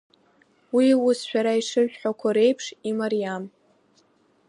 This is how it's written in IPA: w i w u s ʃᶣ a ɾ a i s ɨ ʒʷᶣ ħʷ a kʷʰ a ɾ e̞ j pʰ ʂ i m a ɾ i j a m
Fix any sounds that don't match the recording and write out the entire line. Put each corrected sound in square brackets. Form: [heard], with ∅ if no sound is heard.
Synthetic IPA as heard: w i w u s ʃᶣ a ɾ a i [ʂ] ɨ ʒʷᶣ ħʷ a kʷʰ a ɾ e̞ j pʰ ʂ i m a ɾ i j a m